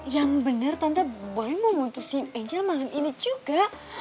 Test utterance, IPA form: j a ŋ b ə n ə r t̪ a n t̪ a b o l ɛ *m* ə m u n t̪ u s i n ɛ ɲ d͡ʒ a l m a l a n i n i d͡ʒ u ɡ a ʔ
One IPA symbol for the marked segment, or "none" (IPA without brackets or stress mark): m